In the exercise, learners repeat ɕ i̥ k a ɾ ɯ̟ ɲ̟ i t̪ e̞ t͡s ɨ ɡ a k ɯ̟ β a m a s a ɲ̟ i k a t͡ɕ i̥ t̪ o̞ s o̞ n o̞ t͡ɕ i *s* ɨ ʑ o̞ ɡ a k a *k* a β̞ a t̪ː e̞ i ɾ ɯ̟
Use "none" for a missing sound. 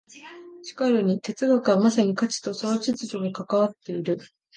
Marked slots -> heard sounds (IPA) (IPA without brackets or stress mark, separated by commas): t͡s, k